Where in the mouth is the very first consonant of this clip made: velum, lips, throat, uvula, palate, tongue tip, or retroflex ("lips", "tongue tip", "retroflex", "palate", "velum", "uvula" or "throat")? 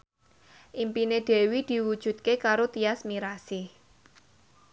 throat